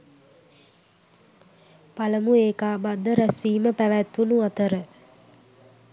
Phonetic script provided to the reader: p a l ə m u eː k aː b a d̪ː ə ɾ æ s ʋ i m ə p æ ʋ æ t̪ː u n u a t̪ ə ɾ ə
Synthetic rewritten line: p a l ə m u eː k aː b a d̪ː ə ɾ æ s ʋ iː m ə p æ ʋ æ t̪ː u n u a t̪ ə ɾ ə